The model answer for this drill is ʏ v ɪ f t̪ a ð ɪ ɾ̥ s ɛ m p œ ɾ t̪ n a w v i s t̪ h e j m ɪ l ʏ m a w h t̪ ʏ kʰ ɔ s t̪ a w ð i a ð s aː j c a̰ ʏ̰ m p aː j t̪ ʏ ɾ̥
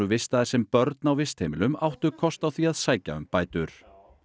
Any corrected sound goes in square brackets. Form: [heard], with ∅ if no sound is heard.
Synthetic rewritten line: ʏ v ɪ [s] t̪ a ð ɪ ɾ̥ s ɛ m p œ ɾ t̪ n a w v [ɪ] s t̪ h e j m ɪ l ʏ m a w h t̪ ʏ kʰ ɔ s t̪ a w [θ] i a ð s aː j c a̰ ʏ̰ m p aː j t̪ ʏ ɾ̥